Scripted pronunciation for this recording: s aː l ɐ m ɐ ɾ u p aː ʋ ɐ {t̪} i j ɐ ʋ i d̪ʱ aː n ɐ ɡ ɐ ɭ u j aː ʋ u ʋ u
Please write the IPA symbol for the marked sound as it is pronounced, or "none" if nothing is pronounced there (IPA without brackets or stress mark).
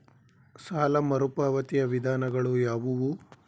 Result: t̪